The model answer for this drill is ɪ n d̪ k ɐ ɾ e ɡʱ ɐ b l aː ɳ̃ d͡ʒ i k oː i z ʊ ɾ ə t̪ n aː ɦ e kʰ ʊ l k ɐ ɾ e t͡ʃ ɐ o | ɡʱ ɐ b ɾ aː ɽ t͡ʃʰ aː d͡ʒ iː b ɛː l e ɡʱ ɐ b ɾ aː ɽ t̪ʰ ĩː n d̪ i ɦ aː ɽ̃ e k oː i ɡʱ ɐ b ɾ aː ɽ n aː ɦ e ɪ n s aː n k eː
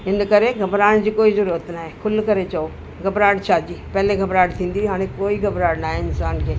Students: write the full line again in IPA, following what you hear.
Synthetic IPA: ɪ n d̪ k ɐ ɾ e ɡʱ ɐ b ɾ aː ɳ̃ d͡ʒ i k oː i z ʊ ɾ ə t̪ n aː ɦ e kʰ ʊ l k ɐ ɾ e t͡ʃ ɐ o | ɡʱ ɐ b ɾ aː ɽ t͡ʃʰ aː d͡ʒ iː p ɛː l e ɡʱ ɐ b ɾ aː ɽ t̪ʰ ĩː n d̪ i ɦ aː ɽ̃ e k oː i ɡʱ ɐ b ɾ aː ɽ n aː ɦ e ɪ n s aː n k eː